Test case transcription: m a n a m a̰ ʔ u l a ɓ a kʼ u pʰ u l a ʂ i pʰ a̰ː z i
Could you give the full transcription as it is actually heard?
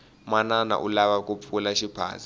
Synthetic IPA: m a n a n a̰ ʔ u l a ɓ a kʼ u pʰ u l a ʃ i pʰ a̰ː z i